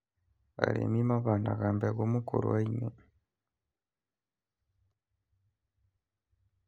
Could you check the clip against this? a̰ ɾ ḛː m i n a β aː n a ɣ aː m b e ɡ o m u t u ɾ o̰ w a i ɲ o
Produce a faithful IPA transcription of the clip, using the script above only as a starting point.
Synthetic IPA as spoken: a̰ ɾ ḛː m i m a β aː n a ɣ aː m b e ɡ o m u k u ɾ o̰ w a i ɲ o

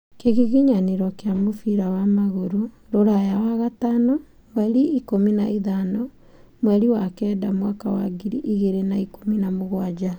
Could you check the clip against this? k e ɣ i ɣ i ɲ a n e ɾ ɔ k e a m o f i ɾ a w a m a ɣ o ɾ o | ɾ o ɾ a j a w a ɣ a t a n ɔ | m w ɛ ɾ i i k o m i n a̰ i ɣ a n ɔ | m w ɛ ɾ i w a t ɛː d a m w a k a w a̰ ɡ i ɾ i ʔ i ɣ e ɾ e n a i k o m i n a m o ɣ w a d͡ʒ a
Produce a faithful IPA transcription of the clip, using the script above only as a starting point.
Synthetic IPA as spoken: k e ɣ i ɣ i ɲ a n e ɾ ɔ k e a m o f i ɾ a w a m a ɣ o ɾ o | ɾ o ɾ a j a w a ɣ a t a n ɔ | m w ɛ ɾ i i k o m i n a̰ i ð a n ɔ | m w ɛ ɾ i w a k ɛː d a m w a k a w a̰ ɡ i ɾ i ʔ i ɣ e ɾ e n a i k o m i n a m o ɣ w a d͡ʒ a

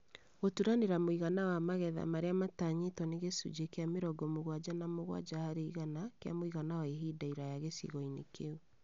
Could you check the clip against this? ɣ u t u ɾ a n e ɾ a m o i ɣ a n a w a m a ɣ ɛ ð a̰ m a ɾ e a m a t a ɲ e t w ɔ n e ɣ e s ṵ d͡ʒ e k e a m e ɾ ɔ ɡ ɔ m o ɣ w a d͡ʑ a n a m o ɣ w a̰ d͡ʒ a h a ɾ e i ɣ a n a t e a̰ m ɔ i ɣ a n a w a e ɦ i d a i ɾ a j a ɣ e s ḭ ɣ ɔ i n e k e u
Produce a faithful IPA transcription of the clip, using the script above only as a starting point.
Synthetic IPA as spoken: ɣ o t u ɾ a n e ɾ a m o i ɣ a n a w a m a ɣ ɛ ð a̰ m a ɾ e a m a t a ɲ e t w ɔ n e ɣ e s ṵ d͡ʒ e k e a m e ɾ ɔ ɡ ɔ m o ɣ w a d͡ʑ a n a m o ɣ w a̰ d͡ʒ a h a ɾ e i ɣ a n a k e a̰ m o i ɣ a n a w a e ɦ i d a i ɾ a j a ɣ e s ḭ ɣ ɔ i n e k e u

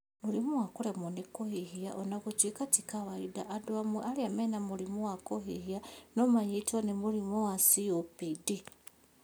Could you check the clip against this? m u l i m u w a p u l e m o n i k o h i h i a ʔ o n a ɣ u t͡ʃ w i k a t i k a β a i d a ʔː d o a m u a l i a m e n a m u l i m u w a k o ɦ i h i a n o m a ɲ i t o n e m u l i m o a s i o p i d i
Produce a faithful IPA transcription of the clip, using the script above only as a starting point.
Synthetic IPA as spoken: m u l i m u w a k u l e m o n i k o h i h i a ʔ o n a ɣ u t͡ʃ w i k a t i k a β a i d a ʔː d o a m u a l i a m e n a m u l i m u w a k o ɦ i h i a n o m a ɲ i t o n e m u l i m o a s i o p i d i

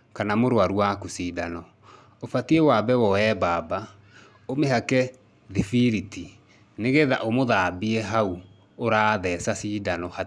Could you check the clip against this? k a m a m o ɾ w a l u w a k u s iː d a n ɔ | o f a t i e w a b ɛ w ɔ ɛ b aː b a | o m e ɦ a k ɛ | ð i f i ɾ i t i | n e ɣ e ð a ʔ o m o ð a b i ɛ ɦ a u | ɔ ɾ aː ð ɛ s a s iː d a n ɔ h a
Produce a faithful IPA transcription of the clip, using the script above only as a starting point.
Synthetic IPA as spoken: k a n a m o ɾ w a ɾ u w a k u s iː d a n ɔ | o f a t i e w a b ɛ w ɔ ɛ b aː b a | o m e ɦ a k ɛ | ð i f i ɾ i t i | n e ɣ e ð a ʔ o m o ð a b i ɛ ɦ a u | o ɾ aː ð ɛ s a s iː d a n ɔ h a

